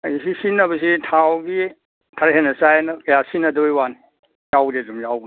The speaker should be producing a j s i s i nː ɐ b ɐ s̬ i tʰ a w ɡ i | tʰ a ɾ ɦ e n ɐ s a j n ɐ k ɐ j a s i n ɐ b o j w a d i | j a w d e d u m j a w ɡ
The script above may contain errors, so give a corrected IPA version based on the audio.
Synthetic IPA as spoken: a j s i s i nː ɐ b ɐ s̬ i tʰ a w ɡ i | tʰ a ɾ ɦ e n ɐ s a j n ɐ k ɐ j a s i n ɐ d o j w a n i | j a w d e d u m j a w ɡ